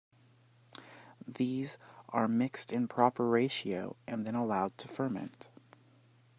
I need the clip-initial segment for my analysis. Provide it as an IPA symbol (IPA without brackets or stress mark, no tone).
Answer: ð